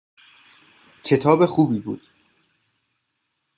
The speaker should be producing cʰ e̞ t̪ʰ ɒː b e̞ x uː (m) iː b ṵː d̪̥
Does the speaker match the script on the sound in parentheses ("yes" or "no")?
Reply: no